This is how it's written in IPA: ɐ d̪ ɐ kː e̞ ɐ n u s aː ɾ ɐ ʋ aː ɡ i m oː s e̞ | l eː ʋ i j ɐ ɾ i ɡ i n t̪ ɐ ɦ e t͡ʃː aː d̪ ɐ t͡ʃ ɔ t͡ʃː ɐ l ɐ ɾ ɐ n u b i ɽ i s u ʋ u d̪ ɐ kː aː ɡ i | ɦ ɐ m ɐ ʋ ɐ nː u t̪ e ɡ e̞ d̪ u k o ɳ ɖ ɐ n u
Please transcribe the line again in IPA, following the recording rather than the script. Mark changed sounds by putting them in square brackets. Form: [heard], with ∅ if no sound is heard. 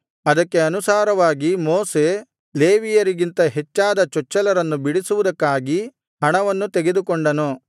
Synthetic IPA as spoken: ɐ d̪ ɐ kː e̞ ɐ n u s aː ɾ ɐ ʋ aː ɡ i m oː s e̞ | l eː ʋ i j ɐ ɾ i ɡ i n t̪ ɐ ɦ e t͡ʃː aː d̪ ɐ t͡ʃ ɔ t͡ʃː ɐ l ɐ ɾ ɐ [nː] u b i ɽ i s u ʋ u d̪ ɐ kː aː ɡ i | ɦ ɐ [ɳ] ɐ ʋ ɐ nː u t̪ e ɡ e̞ d̪ u k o ɳ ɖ ɐ n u